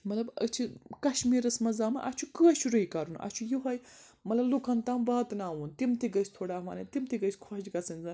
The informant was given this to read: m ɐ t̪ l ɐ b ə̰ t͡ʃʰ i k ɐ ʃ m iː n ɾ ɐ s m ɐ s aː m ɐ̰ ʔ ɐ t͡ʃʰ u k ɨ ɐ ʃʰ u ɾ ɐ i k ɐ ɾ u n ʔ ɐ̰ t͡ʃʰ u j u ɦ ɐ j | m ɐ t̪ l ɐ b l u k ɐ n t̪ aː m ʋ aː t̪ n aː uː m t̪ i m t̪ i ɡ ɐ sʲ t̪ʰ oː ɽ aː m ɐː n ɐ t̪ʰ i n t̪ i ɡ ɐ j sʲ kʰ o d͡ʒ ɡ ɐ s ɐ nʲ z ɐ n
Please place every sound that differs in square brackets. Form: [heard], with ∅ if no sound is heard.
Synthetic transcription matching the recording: m ɐ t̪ l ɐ b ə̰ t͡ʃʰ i k ɐ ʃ m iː [∅] ɾ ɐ s m ɐ [z] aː m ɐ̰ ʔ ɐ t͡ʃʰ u k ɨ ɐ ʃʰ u ɾ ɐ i k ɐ ɾ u n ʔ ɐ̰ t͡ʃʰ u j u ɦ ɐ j | m ɐ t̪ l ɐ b l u k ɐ n t̪ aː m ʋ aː t̪ n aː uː [n] t̪ i m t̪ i ɡ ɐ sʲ t̪ʰ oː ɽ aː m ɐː n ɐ [t̪] i [m] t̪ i ɡ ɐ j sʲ kʰ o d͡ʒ ɡ ɐ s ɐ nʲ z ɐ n